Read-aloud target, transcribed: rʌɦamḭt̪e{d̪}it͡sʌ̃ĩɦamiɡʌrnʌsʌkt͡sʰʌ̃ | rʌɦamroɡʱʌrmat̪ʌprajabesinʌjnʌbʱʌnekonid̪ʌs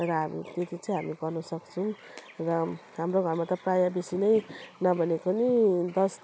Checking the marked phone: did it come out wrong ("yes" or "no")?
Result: yes